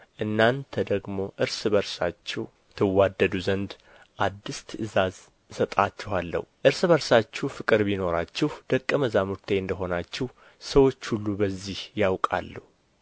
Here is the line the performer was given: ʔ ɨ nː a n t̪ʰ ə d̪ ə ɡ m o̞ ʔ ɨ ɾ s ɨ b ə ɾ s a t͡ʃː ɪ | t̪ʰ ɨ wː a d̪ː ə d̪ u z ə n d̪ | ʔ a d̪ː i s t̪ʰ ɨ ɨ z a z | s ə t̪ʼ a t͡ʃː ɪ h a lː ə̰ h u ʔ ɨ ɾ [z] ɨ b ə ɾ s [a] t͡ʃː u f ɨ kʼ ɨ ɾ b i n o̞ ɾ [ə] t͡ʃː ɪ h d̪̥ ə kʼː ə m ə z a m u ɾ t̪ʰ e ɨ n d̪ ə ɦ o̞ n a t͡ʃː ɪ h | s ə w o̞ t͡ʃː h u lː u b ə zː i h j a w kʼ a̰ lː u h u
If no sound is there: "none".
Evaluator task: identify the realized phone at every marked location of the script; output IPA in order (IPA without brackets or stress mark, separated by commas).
s, a, a